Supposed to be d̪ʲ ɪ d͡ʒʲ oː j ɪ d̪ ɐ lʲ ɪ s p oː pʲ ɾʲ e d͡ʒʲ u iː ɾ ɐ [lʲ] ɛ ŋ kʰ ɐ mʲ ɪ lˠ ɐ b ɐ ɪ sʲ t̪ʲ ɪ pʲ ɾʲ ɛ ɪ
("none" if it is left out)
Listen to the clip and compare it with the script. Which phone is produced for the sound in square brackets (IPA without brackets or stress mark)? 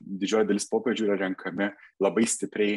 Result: ɾʲ